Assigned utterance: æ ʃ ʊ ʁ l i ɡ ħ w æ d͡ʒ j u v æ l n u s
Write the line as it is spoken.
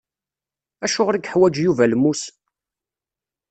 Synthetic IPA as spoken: æ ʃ ʊ ʁ ɾ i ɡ ħ w æ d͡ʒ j u v æ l m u s